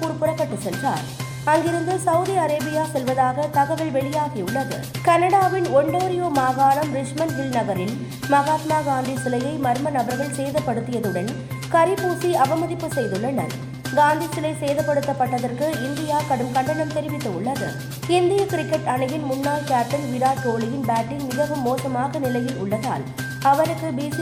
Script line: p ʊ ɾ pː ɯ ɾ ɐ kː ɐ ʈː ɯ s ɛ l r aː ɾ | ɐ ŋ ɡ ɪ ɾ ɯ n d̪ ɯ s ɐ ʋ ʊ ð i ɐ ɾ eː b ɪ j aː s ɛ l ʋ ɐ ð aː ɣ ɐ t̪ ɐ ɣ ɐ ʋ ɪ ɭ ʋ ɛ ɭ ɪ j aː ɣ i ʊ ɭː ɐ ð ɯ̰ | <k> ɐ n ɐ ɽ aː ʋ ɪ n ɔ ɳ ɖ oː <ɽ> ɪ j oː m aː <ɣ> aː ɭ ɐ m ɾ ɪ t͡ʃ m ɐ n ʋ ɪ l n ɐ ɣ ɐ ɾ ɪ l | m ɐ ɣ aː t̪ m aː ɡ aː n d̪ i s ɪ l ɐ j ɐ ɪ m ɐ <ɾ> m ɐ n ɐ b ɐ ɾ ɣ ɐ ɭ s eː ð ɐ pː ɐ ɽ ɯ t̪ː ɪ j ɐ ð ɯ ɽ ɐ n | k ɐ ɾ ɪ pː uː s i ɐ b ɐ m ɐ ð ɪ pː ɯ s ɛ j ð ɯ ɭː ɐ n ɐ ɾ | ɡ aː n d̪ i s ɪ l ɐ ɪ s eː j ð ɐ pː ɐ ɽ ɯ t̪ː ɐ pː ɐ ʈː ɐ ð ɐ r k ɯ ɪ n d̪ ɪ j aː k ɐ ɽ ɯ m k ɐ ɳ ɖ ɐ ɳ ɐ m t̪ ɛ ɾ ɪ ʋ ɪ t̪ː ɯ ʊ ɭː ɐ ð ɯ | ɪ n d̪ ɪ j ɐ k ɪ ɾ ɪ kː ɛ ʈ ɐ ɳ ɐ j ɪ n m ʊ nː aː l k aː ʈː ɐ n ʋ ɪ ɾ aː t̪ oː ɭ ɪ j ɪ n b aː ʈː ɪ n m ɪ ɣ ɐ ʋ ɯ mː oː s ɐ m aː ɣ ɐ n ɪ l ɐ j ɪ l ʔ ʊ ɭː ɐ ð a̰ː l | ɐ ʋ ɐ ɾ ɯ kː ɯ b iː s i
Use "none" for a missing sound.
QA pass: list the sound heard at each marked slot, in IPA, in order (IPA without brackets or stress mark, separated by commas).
k, ɾ, ɣ, ɾ